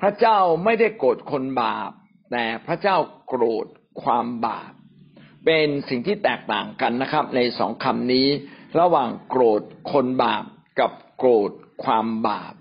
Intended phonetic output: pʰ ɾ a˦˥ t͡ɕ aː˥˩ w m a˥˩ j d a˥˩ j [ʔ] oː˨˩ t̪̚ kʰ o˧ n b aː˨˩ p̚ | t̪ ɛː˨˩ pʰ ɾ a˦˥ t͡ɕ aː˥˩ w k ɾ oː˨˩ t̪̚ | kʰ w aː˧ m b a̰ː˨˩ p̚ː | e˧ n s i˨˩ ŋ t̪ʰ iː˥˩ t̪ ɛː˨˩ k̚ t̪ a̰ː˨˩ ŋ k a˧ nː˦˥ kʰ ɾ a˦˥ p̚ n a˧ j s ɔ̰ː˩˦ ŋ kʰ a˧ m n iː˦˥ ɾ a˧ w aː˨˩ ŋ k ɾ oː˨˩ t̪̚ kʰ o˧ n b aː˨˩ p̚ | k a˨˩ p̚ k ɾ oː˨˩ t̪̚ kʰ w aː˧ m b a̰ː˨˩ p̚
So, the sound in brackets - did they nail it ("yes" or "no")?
no